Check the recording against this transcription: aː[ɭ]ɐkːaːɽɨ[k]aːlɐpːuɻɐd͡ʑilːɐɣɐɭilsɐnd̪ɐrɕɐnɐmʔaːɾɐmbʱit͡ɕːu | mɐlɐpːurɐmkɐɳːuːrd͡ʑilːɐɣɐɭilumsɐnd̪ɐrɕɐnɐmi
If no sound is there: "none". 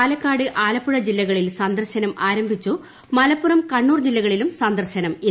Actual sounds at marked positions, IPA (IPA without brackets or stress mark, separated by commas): l, ʔ